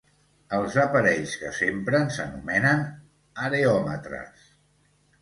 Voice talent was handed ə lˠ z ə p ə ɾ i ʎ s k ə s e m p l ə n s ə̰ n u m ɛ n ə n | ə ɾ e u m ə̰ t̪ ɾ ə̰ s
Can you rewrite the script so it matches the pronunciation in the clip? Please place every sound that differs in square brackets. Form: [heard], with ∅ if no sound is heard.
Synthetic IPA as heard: ə lˠ z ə p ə ɾ [ɛ] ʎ s k ə s e m p [ɾ] ə n s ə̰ n u m ɛ n ə n | ə ɾ e [ɔ] m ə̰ t̪ ɾ ə̰ s